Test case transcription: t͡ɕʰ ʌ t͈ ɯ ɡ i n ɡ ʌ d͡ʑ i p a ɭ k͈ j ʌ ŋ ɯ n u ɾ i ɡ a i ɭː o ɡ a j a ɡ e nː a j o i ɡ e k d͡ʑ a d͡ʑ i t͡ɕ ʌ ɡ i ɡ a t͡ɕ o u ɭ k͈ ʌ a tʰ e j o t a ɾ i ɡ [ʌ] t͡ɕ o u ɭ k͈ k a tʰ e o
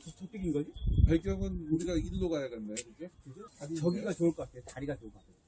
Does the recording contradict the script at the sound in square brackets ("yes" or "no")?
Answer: yes